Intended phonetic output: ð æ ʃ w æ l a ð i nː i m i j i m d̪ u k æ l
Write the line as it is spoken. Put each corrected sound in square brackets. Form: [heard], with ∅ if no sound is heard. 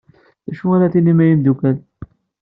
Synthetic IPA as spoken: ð æ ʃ [u] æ [ɾ] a [θ] i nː i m [æ] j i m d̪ u k æ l